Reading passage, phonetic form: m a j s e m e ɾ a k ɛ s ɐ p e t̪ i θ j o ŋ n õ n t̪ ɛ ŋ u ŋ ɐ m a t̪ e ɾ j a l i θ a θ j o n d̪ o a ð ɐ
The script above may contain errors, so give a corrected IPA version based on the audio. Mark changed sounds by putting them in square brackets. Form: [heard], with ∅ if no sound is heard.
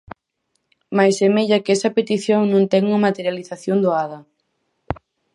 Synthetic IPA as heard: m a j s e m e [ʎ] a k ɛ s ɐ p e t̪ i θ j o ŋ n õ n t̪ ɛ ŋ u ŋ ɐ m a t̪ e ɾ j a l i θ a θ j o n d̪ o a ð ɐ